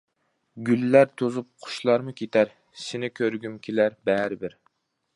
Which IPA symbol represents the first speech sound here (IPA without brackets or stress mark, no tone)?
ɡʲ